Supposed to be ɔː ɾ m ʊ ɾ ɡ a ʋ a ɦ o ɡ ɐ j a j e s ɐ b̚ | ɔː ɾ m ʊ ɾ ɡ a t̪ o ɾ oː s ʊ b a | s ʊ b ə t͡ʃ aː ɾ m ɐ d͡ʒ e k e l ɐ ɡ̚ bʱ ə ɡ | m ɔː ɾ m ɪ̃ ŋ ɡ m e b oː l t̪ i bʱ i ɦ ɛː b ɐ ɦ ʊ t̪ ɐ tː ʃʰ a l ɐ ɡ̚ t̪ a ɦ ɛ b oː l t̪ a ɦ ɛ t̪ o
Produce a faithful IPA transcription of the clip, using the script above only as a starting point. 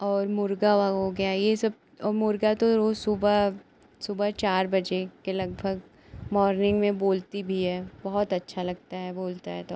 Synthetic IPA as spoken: ɔː ɾ m ʊ ɾ ɡ a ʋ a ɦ o ɡ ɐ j a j e s ɐ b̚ | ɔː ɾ m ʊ ɾ ɡ a t̪ o ɾ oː s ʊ b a | s ʊ b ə t͡ʃ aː ɾ b ɐ d͡ʒ e k e l ɐ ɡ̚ bʱ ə ɡ | m ɔː ɾ n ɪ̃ ŋ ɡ m ẽ b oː l t̪ i bʱ i ɦ ɛː b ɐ ɦ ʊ t̪ ɐ tː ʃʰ a l ɐ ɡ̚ t̪ a ɦ ɛ b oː l t̪ a ɦ ɛ t̪ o

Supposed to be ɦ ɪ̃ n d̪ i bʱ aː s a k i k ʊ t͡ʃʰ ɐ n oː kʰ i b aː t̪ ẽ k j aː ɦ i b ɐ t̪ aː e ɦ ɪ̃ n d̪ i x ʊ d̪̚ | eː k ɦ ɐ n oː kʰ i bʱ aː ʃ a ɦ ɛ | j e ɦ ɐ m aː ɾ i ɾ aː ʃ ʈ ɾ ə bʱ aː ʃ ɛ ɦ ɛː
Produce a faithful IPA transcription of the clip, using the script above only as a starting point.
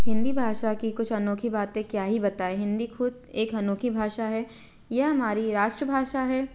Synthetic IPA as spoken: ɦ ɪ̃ n d̪ i bʱ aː ʃ a k i k ʊ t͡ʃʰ ɐ n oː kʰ i b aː t̪ ẽ k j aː ɦ i b ɐ t̪ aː e ɦ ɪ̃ n d̪ i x ʊ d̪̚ | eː k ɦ ɐ n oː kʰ i bʱ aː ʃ a ɦ ɛ | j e ɦ ɐ m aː ɾ i ɾ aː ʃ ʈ ɾ ə bʱ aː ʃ a ɦ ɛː

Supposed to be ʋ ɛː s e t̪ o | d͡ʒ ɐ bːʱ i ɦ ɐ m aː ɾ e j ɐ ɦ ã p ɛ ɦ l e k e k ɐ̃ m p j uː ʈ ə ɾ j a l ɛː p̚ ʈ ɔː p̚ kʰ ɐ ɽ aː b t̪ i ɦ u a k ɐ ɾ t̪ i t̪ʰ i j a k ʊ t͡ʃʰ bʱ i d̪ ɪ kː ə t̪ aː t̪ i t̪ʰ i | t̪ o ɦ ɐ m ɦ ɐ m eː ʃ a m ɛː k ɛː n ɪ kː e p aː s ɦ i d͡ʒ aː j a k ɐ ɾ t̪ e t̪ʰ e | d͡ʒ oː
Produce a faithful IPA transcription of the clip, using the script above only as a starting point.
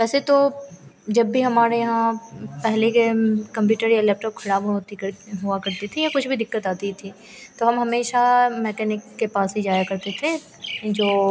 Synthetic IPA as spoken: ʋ ɛː s e t̪ o | d͡ʒ ɐ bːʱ i ɦ ɐ m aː ɾ e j ɐ ɦ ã p ɛ ɦ l e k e k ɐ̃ m p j uː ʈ ə ɾ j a l ɛː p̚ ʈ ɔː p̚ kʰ ɐ ɽ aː b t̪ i ɦ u a k ɐ ɾ t̪ i t̪ʰ i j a k ʊ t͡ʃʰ bʱ i d̪ ɪ kː ə t̪ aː t̪ i t̪ʰ i | t̪ o ɦ ɐ m ɦ ɐ m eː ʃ a m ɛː k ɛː n ɪ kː e p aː s ɦ i d͡ʒ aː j a k ɐ ɾ t̪ e t̪ʰ e | d͡ʒ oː

